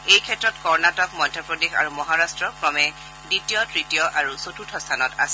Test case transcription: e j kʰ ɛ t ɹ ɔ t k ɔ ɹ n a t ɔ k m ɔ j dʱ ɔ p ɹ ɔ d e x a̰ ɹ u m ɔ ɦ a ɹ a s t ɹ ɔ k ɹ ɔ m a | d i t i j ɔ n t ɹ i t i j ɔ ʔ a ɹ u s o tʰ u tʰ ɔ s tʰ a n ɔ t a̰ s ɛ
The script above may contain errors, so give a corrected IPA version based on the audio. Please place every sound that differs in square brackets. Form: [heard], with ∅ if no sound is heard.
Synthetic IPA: e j kʰ ɛ t ɹ ɔ t k ɔ ɹ n a t ɔ k m ɔ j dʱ ɔ p ɹ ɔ d e x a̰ ɹ u m ɔ ɦ a ɹ a s t ɹ ɔ k ɹ ɔ m [ɛ] | d i t i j ɔ [∅] t ɹ i t i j ɔ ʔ a ɹ u s o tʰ u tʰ ɔ s tʰ a n ɔ t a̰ s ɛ